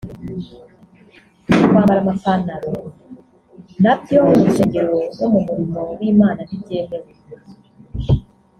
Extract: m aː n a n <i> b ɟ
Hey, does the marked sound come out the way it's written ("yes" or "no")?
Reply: yes